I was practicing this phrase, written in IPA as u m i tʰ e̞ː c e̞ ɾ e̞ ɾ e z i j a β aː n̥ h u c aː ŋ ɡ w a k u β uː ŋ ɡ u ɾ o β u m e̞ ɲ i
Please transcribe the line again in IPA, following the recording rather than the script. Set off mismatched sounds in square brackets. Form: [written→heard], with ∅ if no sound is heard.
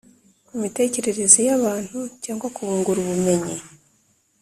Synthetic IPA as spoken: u m i [tʰ→t] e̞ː c e̞ ɾ e̞ ɾ e z i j a β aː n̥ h u c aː ŋ ɡ w a k u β uː ŋ ɡ u ɾ [o→u] β u m e̞ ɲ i